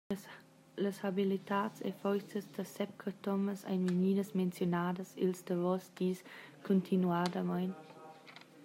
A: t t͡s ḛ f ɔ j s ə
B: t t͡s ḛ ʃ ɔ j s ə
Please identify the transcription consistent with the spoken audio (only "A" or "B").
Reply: A